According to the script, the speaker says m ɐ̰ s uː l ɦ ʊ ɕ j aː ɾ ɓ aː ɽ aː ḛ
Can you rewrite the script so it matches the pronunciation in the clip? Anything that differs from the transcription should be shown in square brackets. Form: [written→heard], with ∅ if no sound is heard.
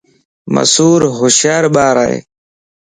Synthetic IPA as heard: m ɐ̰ s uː [l→ɾ] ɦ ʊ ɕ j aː ɾ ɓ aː [ɽ→ɾ] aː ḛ